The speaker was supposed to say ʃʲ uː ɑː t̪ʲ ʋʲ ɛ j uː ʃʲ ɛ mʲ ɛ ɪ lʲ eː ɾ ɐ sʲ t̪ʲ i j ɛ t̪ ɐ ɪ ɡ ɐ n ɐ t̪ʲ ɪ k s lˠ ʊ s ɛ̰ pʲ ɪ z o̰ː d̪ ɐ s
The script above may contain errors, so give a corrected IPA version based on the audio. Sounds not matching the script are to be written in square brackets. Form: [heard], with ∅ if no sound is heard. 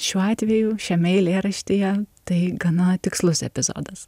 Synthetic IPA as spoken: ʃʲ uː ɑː t̪ʲ ʋʲ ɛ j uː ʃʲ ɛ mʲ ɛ ɪ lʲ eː ɾ ɐ [ʃʲ] t̪ʲ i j ɛ t̪ ɐ ɪ ɡ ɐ n ɐ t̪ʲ ɪ k s lˠ ʊ s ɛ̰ pʲ ɪ z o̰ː d̪ ɐ s